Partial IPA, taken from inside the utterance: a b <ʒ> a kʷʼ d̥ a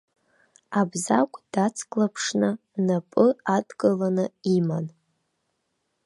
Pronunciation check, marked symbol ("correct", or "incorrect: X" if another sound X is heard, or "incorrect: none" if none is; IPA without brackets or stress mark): incorrect: z